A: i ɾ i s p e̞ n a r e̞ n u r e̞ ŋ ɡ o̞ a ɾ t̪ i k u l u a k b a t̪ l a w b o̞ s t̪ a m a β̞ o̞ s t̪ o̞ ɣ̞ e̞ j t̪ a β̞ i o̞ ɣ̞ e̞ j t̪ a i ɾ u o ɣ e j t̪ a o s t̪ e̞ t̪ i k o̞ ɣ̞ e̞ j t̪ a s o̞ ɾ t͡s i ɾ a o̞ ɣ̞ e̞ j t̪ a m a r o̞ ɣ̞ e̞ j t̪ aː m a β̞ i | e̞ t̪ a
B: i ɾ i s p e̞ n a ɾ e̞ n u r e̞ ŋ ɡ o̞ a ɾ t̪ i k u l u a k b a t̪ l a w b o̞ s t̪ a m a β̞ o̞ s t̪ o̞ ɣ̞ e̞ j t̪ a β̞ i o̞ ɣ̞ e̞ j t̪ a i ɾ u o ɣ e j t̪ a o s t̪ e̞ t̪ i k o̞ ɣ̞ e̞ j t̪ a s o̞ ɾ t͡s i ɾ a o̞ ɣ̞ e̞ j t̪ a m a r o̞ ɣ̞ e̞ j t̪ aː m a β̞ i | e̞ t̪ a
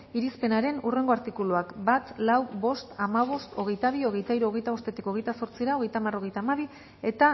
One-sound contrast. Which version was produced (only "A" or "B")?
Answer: B